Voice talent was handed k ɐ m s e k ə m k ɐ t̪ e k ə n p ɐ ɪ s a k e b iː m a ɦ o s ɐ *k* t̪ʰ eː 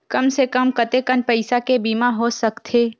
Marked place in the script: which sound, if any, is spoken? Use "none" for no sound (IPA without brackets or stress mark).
k